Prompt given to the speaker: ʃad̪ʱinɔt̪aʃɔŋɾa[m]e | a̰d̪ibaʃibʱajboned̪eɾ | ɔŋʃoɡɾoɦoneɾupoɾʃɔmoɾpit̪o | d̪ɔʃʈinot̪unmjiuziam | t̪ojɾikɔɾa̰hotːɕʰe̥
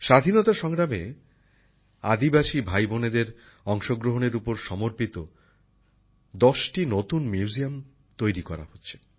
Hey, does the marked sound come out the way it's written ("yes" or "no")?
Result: yes